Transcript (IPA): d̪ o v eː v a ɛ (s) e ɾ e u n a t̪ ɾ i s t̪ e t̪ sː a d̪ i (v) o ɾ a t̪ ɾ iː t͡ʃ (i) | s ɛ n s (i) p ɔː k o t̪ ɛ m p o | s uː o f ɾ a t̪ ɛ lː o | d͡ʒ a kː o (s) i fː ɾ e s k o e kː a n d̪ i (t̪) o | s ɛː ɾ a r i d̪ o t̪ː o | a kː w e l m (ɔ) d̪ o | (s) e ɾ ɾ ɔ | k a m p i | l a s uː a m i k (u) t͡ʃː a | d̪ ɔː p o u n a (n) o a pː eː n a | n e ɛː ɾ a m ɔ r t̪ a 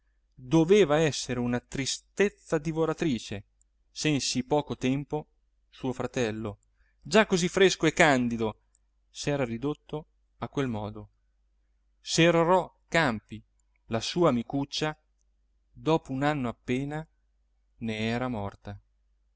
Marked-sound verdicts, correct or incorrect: incorrect: sː, correct, incorrect: e, correct, incorrect: z, incorrect: d̪, incorrect: ɔː, correct, correct, incorrect: nː

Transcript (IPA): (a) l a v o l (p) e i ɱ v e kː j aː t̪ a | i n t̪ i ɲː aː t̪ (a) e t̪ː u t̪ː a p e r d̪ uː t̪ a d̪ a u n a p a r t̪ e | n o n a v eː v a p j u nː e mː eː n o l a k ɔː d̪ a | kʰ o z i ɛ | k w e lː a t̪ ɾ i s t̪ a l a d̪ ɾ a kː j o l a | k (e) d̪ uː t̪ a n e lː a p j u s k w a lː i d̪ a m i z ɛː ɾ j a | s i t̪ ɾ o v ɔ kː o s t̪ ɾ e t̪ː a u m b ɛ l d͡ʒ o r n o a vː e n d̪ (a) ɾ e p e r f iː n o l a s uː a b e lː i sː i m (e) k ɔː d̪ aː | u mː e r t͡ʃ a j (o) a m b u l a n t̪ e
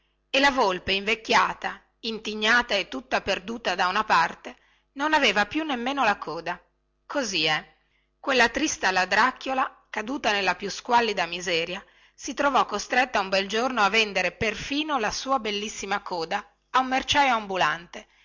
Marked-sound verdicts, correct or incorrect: incorrect: e, correct, correct, incorrect: a, incorrect: e, incorrect: a, correct

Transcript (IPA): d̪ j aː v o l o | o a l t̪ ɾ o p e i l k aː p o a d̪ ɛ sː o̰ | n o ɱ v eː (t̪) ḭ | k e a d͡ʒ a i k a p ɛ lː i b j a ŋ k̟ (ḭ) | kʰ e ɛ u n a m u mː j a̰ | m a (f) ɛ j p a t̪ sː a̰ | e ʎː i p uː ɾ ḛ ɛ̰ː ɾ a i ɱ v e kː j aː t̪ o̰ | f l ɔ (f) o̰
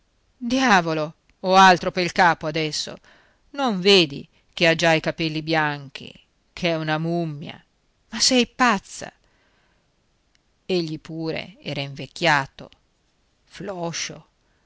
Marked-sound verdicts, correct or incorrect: incorrect: d̪, correct, incorrect: s, incorrect: ʃ

